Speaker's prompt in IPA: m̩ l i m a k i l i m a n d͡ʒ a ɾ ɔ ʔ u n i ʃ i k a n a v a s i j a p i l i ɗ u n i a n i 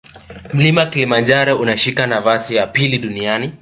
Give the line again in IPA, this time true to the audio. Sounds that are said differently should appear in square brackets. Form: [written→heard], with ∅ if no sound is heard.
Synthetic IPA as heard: m̩ l i m a k i l i m a n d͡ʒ a ɾ ɔ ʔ u n [i→a] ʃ i k a n a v a s i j a p i l i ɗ u n i a n i